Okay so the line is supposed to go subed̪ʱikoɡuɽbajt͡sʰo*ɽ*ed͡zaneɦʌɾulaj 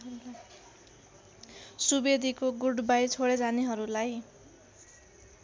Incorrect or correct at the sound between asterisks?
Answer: correct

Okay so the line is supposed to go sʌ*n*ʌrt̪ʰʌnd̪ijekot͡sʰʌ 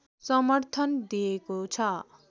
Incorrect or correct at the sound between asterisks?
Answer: incorrect: m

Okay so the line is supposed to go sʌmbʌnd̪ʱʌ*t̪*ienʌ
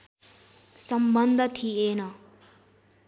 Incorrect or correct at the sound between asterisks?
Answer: incorrect: t̪ʰ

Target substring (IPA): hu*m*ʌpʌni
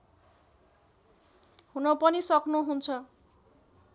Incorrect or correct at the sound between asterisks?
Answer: incorrect: n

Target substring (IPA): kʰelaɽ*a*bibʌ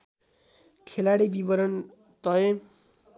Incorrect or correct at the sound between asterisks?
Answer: incorrect: i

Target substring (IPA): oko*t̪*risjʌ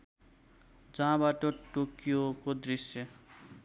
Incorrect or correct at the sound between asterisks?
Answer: incorrect: d̪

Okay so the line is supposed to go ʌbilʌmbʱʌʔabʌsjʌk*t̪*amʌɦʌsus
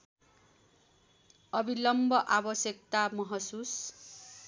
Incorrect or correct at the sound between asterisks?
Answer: correct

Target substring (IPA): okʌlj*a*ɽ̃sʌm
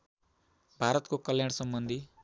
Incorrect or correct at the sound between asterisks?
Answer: correct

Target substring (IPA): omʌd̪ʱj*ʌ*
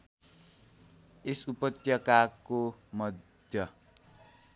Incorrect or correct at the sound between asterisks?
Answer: correct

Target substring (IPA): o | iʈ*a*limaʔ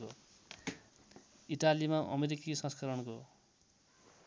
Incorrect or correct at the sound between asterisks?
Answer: correct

